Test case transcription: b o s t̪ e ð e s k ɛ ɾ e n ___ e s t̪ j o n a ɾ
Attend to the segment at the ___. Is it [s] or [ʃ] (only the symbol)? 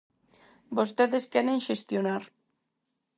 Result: ʃ